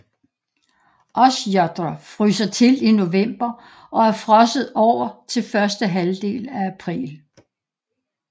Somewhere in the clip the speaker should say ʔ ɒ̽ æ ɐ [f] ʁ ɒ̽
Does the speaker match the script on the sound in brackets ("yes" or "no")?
yes